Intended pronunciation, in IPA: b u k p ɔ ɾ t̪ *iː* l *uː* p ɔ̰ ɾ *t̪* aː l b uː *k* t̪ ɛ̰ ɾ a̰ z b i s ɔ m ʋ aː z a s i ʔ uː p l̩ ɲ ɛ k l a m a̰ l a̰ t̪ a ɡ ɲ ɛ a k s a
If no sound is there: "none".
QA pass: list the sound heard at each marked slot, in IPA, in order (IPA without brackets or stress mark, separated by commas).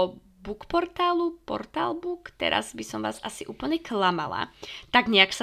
aː, u, t̪, k